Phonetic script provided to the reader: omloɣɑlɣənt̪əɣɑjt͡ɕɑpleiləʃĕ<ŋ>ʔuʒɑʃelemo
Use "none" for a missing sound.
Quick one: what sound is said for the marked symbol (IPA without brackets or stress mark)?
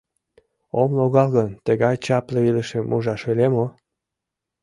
m